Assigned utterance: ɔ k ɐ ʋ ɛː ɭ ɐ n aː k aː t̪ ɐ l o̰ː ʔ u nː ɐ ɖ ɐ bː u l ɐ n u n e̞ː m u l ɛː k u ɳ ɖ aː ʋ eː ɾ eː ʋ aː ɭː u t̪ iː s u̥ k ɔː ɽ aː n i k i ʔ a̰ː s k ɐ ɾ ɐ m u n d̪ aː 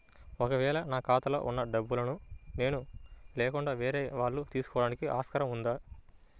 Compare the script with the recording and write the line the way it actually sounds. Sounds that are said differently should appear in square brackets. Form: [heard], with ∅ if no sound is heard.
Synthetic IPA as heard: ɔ k ɐ ʋ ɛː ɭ ɐ n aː k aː t̪ ɐ l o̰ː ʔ u nː ɐ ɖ ɐ bː u l ɐ n u n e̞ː [n] u l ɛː k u ɳ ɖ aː ʋ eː ɾ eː ʋ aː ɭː u t̪ iː s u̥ k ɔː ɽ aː n i k i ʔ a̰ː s k ɐ ɾ ɐ m u n d̪ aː